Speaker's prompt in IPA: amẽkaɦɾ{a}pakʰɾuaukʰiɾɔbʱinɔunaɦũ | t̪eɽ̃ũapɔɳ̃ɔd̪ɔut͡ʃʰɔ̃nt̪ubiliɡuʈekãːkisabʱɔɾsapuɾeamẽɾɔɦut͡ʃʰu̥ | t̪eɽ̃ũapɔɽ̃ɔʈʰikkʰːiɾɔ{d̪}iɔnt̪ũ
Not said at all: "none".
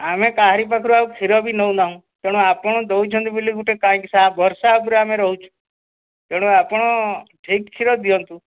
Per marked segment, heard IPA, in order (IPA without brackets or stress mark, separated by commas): i, d̪